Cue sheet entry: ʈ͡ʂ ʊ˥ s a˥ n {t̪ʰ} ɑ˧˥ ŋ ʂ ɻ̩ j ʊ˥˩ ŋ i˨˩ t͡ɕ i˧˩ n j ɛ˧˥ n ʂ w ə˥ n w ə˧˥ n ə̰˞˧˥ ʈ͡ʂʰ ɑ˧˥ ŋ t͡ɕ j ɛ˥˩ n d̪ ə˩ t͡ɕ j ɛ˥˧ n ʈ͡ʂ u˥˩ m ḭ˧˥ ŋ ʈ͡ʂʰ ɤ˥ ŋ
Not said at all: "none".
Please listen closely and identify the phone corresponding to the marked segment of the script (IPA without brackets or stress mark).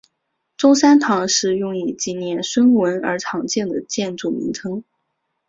t̪ʰ